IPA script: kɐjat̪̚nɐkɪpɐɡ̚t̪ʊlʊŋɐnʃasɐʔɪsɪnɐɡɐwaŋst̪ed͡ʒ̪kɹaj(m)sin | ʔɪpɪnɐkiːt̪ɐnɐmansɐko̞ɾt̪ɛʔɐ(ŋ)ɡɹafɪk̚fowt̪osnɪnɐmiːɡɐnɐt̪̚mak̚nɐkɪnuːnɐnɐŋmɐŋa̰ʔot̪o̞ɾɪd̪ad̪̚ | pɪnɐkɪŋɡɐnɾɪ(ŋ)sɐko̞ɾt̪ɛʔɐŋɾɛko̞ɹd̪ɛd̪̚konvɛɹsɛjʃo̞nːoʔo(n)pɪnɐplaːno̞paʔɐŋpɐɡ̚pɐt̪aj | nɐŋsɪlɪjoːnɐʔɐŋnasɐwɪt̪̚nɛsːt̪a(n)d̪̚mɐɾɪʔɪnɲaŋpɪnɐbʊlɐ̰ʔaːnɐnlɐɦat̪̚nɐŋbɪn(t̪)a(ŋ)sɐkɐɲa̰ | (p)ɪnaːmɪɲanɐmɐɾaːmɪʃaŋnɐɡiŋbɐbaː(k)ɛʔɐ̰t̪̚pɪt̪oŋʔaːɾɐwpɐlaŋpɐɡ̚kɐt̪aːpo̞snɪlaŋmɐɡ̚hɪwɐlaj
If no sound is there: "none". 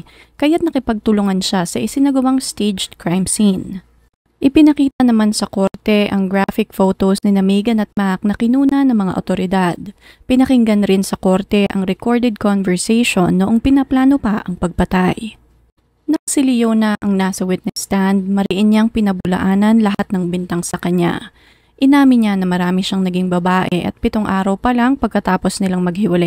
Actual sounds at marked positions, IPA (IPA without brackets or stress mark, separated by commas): m, ŋ, n, ŋ, n, t̪, ŋ, ʔ, ʔ